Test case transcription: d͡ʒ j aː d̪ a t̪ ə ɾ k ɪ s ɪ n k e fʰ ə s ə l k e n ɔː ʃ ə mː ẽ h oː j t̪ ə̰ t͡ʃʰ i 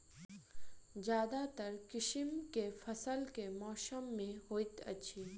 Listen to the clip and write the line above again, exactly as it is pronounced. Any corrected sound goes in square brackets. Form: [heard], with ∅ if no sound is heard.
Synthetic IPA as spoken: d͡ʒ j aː d̪ a t̪ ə ɾ k ɪ [ʃ] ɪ [m] k e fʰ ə s ə l k e [m] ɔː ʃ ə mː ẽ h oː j t̪ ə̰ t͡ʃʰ i